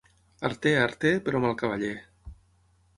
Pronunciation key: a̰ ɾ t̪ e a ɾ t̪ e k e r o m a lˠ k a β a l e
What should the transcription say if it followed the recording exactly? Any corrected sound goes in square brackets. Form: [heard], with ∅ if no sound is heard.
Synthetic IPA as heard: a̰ ɾ t̪ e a ɾ t̪ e [p] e [ɾ] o m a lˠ k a β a [ʎ] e